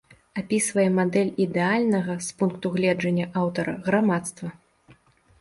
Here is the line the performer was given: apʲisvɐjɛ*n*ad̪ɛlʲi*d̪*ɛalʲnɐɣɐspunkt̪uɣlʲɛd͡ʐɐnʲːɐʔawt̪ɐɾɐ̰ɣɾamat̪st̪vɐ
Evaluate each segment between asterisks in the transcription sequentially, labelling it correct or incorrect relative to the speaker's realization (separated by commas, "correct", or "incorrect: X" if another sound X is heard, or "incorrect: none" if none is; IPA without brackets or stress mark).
incorrect: m, correct